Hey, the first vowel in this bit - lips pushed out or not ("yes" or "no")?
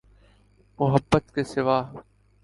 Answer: yes